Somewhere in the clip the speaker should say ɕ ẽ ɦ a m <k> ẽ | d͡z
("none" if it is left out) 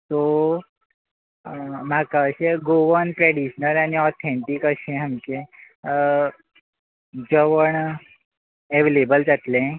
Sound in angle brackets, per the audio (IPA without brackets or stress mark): k